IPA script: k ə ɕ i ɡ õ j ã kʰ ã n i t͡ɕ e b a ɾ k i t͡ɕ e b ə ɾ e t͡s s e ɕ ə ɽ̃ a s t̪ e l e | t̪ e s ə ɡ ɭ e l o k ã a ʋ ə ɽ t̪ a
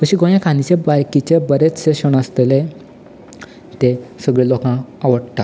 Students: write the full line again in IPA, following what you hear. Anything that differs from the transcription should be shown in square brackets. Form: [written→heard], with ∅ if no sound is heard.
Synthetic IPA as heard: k ə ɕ i ɡ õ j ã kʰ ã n i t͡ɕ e b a ɾ k i t͡ɕ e b ə ɾ e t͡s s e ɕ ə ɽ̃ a s t̪ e l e | t̪ e s ə ɡ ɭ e l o k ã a ʋ ə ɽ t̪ a

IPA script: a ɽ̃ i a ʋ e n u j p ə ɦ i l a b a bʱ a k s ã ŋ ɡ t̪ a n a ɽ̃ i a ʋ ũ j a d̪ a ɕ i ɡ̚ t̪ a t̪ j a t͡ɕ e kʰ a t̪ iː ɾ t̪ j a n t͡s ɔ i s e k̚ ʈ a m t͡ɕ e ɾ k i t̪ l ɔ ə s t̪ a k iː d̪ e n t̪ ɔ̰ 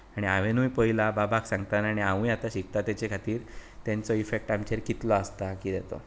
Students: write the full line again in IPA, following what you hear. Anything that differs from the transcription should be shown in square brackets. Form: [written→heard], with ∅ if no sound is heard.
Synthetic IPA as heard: a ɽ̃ i a ʋ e n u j p ə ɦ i l a b a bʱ a k s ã ŋ ɡ t̪ a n a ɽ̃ i a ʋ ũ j a [d̪→t̪] a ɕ i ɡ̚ t̪ a t̪ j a t͡ɕ e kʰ a t̪ iː ɾ t̪ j a n t͡s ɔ i [s→f] e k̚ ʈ a m t͡ɕ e ɾ k i t̪ l ɔ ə s t̪ a k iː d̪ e [n→∅] t̪ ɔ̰

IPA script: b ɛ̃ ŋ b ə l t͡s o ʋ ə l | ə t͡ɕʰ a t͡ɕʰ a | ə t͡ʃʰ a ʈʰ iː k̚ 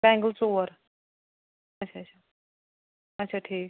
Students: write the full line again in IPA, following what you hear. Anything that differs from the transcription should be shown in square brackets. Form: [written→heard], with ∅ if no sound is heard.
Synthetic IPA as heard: b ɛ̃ ŋ [b→ɡ] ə l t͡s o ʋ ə [l→ɾ] | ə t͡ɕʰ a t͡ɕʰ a | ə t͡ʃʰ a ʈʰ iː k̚

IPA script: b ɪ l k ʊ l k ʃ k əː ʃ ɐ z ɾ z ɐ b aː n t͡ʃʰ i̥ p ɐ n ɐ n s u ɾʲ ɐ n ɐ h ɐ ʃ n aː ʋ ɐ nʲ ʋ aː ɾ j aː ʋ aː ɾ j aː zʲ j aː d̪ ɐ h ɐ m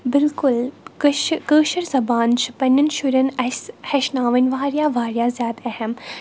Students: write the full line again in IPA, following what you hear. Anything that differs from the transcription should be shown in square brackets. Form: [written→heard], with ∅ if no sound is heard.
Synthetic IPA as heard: b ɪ l k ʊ l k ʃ k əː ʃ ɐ [z→∅] ɾ z ɐ b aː n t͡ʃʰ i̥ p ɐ n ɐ n [s→ʃ] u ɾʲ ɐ n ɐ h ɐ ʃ n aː ʋ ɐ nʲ ʋ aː ɾ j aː ʋ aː ɾ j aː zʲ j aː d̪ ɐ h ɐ m

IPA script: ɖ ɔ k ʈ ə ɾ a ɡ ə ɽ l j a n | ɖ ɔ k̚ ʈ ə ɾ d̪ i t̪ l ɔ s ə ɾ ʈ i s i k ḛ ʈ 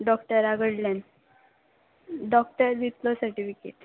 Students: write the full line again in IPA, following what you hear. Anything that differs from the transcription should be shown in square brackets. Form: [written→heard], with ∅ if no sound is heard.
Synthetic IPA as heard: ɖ ɔ k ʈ ə ɾ a ɡ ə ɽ l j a n | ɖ ɔ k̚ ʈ ə ɾ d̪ i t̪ l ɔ s ə ɾ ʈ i [s→f] i k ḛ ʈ

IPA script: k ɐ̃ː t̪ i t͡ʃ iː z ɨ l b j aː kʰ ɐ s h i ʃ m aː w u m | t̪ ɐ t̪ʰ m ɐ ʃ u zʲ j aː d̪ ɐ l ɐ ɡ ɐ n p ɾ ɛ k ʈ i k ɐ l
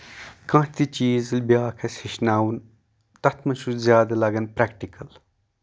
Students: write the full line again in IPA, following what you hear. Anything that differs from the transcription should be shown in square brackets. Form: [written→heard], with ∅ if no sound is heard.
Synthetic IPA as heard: k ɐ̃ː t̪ i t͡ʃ iː z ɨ l b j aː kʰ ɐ s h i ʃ [m→n] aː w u [m→n] | t̪ ɐ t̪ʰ m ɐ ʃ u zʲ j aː d̪ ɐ l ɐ ɡ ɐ n p ɾ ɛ k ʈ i k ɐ l

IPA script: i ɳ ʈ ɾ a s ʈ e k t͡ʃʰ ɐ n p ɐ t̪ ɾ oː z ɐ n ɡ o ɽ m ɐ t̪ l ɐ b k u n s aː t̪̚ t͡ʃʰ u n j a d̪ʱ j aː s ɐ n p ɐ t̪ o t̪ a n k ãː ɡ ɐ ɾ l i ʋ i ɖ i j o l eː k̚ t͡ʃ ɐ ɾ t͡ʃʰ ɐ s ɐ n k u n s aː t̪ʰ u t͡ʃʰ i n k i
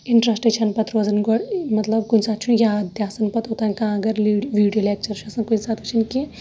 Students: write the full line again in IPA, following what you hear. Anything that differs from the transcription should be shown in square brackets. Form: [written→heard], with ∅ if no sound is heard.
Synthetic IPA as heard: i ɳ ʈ ɾ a s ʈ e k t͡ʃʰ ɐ n p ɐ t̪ ɾ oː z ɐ n ɡ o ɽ m ɐ t̪ l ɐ b k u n s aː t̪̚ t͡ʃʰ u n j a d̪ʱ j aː s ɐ n p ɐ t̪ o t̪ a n k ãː ɡ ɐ ɾ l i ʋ i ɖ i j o l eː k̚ t͡ʃ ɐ ɾ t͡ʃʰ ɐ s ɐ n k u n s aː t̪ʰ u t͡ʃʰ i n k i

